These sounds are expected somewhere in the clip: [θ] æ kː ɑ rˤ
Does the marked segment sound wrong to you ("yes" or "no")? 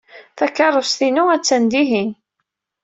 no